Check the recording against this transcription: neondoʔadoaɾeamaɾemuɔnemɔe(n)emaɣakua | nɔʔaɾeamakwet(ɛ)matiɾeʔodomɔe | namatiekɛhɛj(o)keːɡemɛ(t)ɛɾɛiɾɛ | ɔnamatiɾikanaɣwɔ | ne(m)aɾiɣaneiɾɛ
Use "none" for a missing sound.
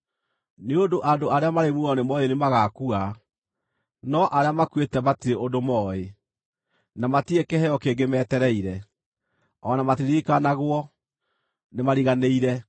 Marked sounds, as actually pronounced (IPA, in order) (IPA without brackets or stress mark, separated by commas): n, ɛ, ɔ, t, m